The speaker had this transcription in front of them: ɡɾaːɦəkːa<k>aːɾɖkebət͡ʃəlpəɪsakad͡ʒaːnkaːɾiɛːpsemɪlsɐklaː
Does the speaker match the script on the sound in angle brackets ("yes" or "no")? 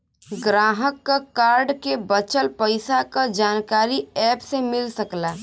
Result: yes